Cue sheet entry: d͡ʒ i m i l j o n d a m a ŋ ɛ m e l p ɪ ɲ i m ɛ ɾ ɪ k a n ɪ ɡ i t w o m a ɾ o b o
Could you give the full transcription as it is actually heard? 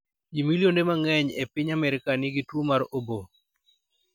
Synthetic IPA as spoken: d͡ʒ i m i l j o n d e m a ŋ ɛ ɲ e p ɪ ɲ a m ɛ ɾ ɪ k a n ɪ ɡ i t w o m a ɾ o b o